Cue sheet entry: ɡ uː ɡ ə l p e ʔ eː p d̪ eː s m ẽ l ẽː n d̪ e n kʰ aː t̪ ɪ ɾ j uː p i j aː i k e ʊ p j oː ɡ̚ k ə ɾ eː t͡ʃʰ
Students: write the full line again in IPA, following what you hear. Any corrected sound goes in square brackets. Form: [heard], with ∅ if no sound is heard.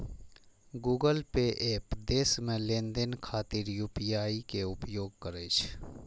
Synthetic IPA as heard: ɡ uː ɡ ə l p e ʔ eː p d̪ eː s m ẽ l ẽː n d̪ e n kʰ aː t̪ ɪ ɾ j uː p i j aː i k e ʊ p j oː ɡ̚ k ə ɾ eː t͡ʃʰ